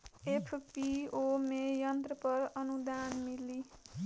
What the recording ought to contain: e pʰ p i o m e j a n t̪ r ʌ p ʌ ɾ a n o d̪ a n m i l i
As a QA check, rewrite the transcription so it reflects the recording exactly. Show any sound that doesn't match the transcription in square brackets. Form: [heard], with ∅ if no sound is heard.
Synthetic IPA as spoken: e pʰ p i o m e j [ʌ] n t̪ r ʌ p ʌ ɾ [ʌ] n [u] d̪ a n m i l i